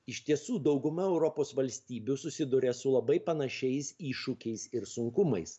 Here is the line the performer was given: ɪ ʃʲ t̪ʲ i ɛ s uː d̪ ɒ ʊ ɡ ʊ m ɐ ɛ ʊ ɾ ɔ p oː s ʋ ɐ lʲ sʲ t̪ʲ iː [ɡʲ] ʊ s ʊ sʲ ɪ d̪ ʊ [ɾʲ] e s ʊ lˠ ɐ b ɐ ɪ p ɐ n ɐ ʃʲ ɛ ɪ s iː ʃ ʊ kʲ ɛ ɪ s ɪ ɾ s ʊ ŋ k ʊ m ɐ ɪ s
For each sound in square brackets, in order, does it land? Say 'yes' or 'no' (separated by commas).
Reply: no, yes